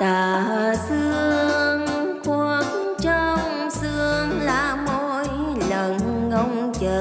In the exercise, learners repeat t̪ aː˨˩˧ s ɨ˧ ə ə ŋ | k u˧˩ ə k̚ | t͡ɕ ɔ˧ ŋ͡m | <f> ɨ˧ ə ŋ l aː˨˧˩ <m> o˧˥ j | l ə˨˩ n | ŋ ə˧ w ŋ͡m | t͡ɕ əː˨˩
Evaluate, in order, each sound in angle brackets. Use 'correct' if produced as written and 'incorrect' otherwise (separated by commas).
incorrect, correct